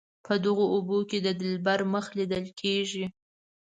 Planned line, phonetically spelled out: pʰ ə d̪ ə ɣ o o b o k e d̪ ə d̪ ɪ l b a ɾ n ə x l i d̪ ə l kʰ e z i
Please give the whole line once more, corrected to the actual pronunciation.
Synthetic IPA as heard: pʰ ə d̪ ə ɣ o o b o k e d̪ ə d̪ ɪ l b a ɾ m ə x l i d̪ ə l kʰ e ʒ i